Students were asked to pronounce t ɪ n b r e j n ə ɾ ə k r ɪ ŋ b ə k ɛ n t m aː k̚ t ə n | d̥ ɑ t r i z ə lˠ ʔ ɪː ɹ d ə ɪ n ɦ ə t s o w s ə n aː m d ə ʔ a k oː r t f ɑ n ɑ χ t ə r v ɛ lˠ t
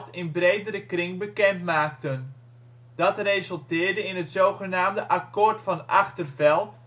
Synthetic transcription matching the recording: t ɪ n b r e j d ə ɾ ə k r ɪ ŋ b ə k ɛ n t m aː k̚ t ə n | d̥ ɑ t r e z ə lˠ t ɪː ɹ d ə ɪ n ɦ ə t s o w χ ə n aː m d ə ʔ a k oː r t f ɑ n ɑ χ t ə r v ɛ lˠ t